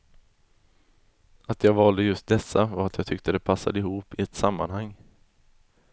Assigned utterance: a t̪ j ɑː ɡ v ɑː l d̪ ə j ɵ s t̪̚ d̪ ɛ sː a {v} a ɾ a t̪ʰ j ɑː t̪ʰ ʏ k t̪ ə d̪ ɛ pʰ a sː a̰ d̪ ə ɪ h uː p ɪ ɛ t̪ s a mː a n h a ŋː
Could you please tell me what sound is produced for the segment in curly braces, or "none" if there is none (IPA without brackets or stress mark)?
v